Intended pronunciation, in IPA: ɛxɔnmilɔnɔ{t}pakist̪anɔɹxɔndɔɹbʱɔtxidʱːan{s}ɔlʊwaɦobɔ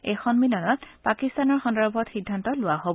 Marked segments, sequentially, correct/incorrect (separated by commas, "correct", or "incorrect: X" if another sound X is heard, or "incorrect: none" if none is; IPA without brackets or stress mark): correct, incorrect: t